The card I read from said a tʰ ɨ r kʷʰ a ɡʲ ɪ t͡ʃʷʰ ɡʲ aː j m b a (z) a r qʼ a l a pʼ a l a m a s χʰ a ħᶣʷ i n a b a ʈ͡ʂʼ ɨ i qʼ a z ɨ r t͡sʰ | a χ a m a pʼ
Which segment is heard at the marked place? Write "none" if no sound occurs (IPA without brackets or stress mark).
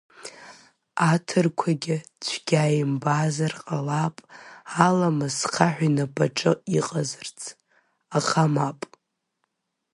z